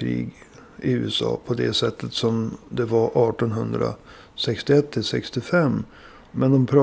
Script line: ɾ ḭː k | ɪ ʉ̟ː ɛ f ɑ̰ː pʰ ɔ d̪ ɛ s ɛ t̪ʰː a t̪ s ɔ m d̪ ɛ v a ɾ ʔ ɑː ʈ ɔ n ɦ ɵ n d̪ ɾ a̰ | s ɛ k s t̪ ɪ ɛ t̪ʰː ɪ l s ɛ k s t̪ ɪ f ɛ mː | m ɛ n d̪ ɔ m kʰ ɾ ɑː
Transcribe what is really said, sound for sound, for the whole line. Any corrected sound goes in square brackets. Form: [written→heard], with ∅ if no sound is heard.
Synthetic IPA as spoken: ɾ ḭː [k→ɡ] | ɪ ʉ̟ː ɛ [f→s] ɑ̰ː pʰ ɔ d̪ ɛ s ɛ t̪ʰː [a→ə] t̪ s ɔ m d̪ ɛ v a ɾ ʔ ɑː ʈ ɔ n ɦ ɵ n d̪ ɾ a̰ | s ɛ k s t̪ ɪ ɛ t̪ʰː ɪ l s ɛ k s t̪ ɪ f ɛ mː | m ɛ n d̪ ɔ m [kʰ→pʰ] ɾ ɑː